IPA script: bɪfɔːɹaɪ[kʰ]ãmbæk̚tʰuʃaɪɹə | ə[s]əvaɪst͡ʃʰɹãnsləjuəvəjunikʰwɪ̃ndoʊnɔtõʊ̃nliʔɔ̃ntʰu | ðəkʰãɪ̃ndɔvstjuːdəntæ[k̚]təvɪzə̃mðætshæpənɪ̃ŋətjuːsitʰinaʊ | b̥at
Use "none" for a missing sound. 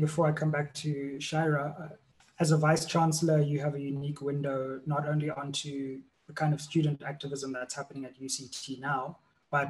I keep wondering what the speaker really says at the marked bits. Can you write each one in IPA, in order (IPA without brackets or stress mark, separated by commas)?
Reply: kʰ, z, k̚